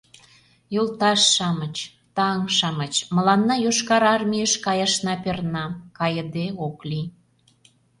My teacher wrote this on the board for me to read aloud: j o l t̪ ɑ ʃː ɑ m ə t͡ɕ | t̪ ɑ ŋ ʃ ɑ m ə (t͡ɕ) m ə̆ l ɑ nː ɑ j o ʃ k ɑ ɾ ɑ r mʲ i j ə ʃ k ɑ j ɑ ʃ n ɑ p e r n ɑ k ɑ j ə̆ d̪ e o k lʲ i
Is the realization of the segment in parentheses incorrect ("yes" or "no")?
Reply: no